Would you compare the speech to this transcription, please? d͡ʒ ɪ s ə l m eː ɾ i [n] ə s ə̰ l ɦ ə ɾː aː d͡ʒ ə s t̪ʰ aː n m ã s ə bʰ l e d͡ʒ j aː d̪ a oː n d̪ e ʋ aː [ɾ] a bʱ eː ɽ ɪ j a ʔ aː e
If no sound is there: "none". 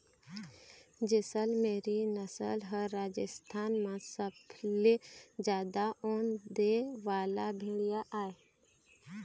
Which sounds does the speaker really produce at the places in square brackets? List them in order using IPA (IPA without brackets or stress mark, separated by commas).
n, l